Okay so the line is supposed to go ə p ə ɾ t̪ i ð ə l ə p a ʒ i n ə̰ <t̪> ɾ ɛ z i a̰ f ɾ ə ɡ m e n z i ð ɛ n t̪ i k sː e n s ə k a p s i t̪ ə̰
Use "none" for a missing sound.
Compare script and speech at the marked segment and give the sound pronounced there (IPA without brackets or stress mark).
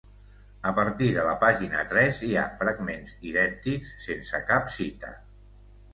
t̪